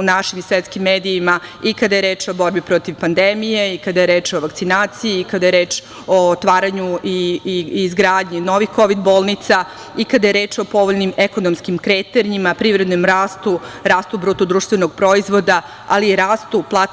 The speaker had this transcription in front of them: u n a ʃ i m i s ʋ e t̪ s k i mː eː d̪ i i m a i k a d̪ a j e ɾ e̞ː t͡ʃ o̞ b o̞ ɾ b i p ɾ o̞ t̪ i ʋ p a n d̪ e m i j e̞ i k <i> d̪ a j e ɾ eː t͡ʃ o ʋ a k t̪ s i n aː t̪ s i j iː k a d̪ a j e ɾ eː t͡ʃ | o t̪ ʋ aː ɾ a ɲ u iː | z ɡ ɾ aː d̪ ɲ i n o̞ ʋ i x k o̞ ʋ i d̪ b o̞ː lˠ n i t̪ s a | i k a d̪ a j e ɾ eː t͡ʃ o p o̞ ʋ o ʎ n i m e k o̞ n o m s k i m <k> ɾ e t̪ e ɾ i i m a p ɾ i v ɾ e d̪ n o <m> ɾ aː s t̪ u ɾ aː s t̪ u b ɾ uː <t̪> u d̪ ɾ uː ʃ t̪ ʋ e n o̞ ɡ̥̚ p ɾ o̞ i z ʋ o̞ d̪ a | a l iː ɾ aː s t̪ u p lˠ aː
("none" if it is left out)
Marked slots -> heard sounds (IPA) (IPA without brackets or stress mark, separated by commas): a, k, m, t̪